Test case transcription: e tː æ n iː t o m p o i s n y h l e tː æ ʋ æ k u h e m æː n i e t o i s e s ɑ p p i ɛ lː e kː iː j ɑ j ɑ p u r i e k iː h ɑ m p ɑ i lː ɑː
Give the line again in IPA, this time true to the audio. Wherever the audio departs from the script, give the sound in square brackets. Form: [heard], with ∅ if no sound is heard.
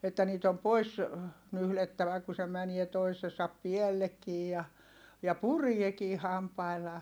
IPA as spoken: e tː æ n iː t o m p o i s n y h l e tː æ ʋ æ k u [s] e m [æ] n i e t o i s e s ɑ p p i ɛ lː e kː iː j ɑ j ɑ p u r i e k iː h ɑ m p ɑ i lː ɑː

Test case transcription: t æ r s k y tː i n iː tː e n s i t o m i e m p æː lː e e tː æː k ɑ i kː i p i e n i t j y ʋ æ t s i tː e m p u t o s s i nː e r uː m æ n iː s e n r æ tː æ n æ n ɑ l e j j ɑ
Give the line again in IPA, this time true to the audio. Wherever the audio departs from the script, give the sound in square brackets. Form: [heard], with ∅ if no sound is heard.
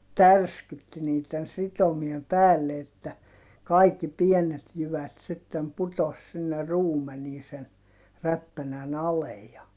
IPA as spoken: t æ r s k y tː i n iː tː e n s i t o m i e m p æː lː e e tː [æ] k ɑ i kː i p i e n [e] t j y ʋ æ t s i tː e m p u t o s s i nː e r uː m [e] n iː s e n r æ [pː] æ n æ n ɑ l e j j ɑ

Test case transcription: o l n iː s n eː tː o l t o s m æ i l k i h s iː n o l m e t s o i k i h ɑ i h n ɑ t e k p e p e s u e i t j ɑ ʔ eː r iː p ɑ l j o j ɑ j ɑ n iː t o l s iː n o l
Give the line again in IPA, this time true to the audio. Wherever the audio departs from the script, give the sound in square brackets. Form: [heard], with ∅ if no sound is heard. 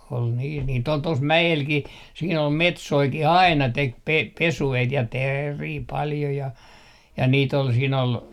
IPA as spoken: o l n iː s n [iː] tː o l t o s m æ [e] l k i h s iː n o l m e t s o i k i h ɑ i [∅] n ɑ t e k p e p e s u e i t j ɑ [t] eː r iː p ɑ l j o j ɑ j ɑ n iː t o l s iː n o l

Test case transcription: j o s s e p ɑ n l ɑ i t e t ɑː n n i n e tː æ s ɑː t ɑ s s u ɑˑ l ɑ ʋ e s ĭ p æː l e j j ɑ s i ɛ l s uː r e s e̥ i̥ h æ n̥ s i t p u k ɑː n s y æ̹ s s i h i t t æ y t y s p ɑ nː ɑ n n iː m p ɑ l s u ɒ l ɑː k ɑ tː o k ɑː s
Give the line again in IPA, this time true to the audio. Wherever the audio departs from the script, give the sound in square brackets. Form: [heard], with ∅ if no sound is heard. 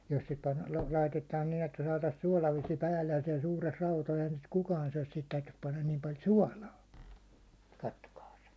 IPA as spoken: j o s s e p ɑ n l ɑ i t e t ɑː n n i n e tː æ s ɑː t ɑ s s u ɑˑ l ɑ ʋ e s ĭ p æː [lː] e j j ɑ s i ɛ l s uː r e s e̥ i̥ h æ n̥ s i t [k] u k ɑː n s y æ̹ s s i h i t t æ y t y s p ɑ nː ɑ n n iː m p ɑ l s u ɒ l ɑː k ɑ tː o k ɑː s

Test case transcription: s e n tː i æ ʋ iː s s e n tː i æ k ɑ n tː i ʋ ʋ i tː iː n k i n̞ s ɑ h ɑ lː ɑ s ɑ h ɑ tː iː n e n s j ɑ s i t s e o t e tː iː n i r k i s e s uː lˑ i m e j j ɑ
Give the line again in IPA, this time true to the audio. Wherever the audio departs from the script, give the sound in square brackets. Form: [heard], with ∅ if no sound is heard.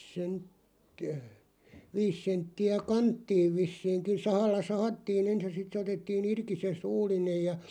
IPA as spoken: s e n tː i æ ʋ iː s s e n tː i æ k ɑ n tː [iː] ʋ ʋ i [sː] iː [ŋ] k i n̞ s ɑ h ɑ lː ɑ s ɑ h ɑ tː iː n e n s j ɑ s i t s e o t e tː iː n i r k i s e s uː lˑ i [n] e j j ɑ

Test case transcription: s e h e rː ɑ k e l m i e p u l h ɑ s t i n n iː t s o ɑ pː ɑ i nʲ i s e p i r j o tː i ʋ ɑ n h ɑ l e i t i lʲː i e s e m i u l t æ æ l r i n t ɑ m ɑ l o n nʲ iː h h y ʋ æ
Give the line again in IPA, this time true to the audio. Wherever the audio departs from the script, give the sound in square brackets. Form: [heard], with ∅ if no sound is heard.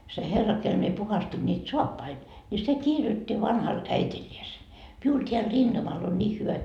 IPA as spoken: s e h e rː ɑ k e l m i e p u [∅] h ɑ s t i n n iː t s o ɑ pː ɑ i nʲ i s e [k] i r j o tː i ʋ ɑ n h ɑ l [æ] i t i lʲː i e s e m i u l t [e] æ l r i n t ɑ m ɑ l o n nʲ iː h h y ʋ æ

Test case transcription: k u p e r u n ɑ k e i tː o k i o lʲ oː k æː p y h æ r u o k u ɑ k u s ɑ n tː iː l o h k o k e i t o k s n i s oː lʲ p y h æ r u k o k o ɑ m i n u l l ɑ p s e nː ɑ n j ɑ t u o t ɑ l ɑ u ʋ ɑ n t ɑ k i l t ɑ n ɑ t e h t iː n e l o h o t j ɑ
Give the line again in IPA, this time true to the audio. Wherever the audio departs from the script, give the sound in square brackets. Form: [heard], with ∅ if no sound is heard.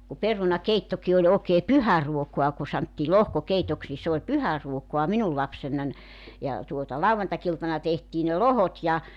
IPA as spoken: k u p e r u n ɑ k e i tː o k i o lʲ oː k [eː] p y h æ r u o k u ɑ k u s ɑ n tː iː l o h k o k e i t o k s n i s oː lʲ p y h æ r u [∅] o k o ɑ m i n u l l ɑ p s e nː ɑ n j ɑ t u o t ɑ l ɑ u ʋ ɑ n t ɑ k i l t ɑ n ɑ t e h t iː n e l o h o t j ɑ

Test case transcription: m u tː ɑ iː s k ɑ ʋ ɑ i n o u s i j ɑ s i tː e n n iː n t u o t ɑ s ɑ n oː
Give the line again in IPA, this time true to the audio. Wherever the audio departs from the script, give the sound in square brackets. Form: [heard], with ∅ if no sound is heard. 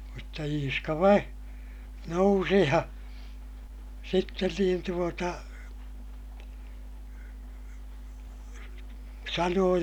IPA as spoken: m u tː ɑ iː s k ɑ ʋ ɑ i n o u s i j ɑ s i tː e n n iː n t u o t ɑ s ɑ n oː

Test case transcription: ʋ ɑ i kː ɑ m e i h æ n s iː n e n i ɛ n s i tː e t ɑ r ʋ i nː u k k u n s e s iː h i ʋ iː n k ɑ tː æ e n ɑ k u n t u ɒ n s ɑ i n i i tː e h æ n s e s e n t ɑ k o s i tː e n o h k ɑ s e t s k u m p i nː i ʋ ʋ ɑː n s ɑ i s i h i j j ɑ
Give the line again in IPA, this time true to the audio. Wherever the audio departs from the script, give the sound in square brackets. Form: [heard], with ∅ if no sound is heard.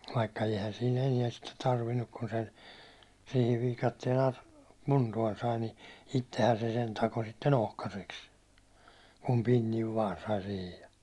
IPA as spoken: ʋ ɑ i kː ɑ [∅] e i h æ n s iː n e n i ɛ n s i tː e t ɑ r ʋ i nː u k k u n s e s iː h i ʋ iː [∅] k ɑ tː [i] e n ɑ k u n t u ɒ n s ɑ i n i i tː e h æ n s e s e n t ɑ k o s i tː e n o h k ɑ s e [k] s k u m p i nː i ʋ ʋ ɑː n s ɑ i s i h i j j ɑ

